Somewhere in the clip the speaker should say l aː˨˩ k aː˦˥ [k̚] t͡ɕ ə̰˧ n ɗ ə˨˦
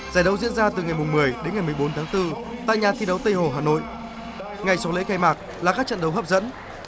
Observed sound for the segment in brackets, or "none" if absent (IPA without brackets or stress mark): k̚